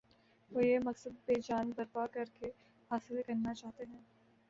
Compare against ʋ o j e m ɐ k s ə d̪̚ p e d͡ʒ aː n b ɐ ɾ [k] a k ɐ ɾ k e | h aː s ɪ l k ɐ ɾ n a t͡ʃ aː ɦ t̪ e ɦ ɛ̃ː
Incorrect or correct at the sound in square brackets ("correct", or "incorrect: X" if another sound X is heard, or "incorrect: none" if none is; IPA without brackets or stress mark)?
incorrect: p